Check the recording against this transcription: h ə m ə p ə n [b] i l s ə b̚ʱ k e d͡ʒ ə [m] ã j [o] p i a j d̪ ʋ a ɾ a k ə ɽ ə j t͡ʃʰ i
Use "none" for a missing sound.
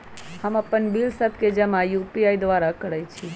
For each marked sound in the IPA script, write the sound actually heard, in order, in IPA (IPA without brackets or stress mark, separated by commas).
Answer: b, m, u